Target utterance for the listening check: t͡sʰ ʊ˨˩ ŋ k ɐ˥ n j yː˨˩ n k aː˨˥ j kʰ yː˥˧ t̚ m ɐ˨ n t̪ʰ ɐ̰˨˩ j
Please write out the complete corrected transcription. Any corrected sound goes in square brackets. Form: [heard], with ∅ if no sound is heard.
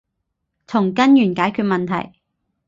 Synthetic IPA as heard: t͡sʰ ʊ˨˩ ŋ k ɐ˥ n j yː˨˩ n k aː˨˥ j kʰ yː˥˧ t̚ m ɐ˨ n t̪ʰ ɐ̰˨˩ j